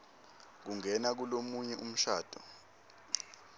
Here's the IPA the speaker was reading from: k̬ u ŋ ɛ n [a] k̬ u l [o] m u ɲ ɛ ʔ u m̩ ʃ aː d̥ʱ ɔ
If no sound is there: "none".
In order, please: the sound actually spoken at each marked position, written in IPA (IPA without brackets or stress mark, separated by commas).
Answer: a, o